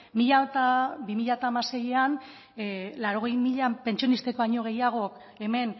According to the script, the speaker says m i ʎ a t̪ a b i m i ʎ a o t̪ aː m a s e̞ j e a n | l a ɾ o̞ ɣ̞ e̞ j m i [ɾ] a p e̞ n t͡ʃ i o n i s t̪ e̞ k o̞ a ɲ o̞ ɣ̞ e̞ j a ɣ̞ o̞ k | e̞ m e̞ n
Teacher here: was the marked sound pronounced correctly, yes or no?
no